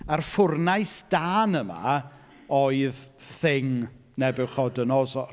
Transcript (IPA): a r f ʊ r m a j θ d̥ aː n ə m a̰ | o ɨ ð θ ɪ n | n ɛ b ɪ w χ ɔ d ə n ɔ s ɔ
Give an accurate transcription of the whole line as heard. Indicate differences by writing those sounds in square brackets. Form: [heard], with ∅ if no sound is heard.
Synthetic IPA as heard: a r f ʊ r [n] a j [s] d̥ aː n ə m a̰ | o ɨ ð θ ɪ [ŋ] | n ɛ b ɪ w χ ɔ d ə n ɔ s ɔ